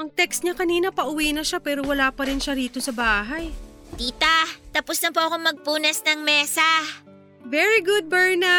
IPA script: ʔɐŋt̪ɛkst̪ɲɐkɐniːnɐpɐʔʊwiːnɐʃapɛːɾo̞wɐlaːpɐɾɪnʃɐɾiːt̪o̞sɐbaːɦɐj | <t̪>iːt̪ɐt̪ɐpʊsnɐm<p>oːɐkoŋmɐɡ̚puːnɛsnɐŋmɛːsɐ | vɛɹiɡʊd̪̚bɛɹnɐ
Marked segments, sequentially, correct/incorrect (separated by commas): correct, correct